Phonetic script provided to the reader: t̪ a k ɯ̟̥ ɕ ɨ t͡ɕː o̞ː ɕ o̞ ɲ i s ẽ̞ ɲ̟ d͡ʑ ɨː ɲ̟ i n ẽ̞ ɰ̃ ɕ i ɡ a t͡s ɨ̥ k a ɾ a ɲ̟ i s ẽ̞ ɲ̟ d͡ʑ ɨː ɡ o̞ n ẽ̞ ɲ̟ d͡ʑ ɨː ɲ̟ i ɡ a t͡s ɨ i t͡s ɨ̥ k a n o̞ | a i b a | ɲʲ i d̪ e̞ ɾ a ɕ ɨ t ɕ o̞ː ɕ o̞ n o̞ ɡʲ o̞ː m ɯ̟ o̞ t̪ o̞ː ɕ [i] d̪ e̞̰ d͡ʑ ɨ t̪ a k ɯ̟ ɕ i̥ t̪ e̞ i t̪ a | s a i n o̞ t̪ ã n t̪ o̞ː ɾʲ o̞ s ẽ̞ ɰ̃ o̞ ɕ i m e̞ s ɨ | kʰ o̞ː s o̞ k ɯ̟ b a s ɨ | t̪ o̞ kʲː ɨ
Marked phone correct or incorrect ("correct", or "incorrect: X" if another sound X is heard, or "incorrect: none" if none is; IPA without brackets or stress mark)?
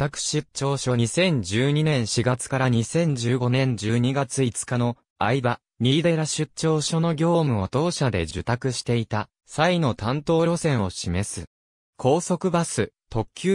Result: incorrect: a